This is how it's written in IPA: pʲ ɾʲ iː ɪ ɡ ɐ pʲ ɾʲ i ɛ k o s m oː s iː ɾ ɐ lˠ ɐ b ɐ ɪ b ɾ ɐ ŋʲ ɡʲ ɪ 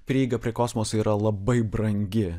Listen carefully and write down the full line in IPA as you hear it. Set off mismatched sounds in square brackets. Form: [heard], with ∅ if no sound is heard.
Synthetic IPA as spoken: pʲ ɾʲ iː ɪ ɡ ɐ pʲ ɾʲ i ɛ k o s m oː s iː ɾ ɐ lˠ ɐ b ɐ ɪ b ɾ ɐ ŋʲ ɡʲ ɪ